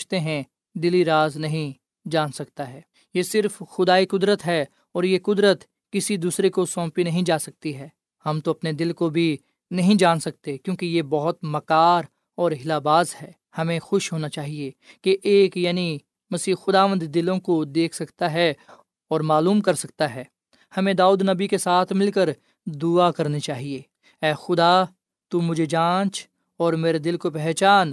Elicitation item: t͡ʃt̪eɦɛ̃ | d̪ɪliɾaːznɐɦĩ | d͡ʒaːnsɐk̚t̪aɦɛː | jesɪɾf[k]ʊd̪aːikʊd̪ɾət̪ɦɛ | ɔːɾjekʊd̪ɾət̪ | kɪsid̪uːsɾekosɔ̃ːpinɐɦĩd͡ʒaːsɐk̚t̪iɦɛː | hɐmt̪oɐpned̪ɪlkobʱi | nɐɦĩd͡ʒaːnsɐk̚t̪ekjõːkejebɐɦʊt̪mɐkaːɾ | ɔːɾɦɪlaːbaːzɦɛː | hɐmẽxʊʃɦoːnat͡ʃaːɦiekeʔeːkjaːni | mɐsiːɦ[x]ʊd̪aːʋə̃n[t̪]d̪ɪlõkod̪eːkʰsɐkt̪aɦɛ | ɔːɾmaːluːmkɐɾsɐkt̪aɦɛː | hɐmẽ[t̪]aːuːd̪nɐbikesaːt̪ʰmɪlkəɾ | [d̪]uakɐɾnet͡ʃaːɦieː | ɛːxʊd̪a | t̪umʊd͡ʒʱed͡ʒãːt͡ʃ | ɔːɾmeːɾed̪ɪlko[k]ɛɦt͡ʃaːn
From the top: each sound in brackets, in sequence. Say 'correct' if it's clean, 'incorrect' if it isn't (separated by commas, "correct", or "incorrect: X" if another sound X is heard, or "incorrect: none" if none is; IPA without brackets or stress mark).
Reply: incorrect: x, correct, incorrect: d̪, incorrect: d̪, correct, incorrect: p